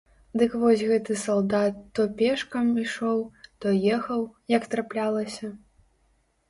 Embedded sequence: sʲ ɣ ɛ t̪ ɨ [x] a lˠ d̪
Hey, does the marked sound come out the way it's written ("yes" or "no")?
no